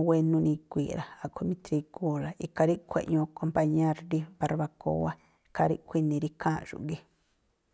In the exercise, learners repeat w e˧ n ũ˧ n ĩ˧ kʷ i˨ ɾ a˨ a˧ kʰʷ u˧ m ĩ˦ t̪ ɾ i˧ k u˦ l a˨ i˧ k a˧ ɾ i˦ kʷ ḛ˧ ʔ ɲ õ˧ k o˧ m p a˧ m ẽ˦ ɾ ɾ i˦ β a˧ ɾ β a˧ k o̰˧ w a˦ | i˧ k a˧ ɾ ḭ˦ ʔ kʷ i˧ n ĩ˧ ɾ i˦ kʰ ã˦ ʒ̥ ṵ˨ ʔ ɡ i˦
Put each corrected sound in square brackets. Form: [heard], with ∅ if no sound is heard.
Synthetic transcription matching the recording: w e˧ n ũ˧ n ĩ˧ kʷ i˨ ɾ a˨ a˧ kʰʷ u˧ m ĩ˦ t̪ ɾ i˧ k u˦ l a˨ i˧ k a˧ ɾ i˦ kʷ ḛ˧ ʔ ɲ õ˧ k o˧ m p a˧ [ɲ] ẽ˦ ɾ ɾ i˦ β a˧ ɾ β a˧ k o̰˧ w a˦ | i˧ k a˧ ɾ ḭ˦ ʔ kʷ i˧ n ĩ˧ ɾ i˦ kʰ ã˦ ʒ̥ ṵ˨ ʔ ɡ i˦